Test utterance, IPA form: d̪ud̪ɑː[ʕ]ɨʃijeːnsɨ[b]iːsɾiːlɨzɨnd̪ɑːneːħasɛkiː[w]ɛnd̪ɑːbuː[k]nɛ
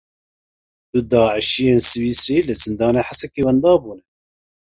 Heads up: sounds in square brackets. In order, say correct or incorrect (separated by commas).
correct, incorrect, correct, incorrect